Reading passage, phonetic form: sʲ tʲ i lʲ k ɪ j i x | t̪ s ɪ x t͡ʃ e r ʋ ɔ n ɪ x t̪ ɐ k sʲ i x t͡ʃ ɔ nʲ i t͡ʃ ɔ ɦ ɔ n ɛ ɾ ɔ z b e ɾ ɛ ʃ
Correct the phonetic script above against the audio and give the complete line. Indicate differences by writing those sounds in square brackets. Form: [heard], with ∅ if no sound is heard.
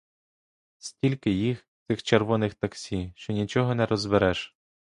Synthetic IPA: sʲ tʲ i lʲ k ɪ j i x | t̪ s ɪ x t͡ʃ e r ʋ ɔ n ɪ x t̪ ɐ k sʲ i [ʃ] t͡ʃ ɔ nʲ i t͡ʃ ɔ ɦ ɔ n ɛ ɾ ɔ z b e ɾ ɛ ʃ